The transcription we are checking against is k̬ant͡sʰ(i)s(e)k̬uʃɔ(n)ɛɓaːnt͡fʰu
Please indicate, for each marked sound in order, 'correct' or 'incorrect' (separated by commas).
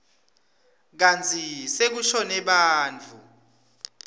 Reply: correct, correct, correct